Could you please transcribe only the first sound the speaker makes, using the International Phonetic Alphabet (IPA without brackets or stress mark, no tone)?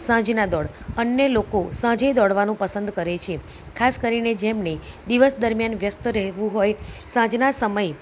s